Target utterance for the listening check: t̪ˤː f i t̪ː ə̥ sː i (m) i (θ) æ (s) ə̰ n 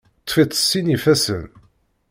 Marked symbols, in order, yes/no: no, no, yes

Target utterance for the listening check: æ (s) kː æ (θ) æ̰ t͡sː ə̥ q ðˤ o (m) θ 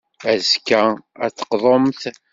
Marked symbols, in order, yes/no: no, no, yes

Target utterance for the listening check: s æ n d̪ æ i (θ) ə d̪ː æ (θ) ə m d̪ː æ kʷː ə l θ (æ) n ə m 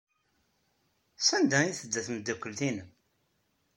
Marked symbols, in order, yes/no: yes, yes, no

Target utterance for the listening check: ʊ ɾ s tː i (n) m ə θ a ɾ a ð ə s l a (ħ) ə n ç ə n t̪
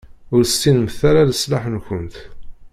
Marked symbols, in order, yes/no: yes, yes

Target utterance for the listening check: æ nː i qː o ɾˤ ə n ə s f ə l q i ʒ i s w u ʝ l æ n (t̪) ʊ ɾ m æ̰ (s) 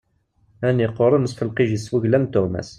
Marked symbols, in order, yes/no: yes, yes

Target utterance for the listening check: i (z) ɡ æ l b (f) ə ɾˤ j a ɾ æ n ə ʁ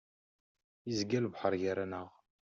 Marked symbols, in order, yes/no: yes, no

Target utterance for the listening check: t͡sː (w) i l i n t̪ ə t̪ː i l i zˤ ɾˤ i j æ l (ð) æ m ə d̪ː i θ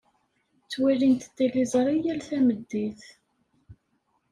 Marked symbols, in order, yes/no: yes, no

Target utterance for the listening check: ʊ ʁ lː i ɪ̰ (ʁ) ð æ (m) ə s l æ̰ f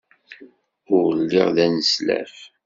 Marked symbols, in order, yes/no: yes, no

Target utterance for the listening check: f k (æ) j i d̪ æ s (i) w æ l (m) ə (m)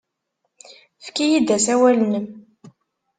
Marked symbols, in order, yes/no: no, no, no, yes

